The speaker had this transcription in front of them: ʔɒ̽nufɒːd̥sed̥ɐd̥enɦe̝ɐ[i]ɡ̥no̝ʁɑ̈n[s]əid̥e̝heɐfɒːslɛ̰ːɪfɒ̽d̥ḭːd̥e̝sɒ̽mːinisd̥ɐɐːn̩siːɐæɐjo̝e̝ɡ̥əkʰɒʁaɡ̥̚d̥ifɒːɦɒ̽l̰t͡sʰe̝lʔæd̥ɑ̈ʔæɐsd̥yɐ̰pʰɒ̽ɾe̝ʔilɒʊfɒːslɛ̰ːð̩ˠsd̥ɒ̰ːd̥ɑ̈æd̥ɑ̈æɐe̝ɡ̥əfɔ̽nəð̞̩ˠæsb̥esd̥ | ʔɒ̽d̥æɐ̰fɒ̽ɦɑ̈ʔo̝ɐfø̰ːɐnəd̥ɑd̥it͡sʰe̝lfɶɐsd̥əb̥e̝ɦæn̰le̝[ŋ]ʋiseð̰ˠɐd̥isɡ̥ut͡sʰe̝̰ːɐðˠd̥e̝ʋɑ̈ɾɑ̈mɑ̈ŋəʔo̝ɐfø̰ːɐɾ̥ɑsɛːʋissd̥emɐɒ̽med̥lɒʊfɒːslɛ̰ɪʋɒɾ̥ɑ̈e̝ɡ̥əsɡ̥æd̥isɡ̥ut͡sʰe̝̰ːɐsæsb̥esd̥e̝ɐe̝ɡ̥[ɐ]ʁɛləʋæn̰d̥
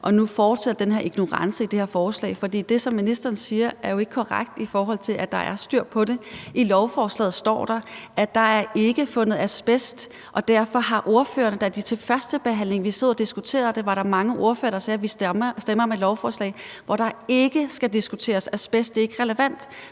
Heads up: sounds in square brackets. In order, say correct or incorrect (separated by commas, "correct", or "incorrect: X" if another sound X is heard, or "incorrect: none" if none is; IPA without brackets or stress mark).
correct, correct, correct, incorrect: ə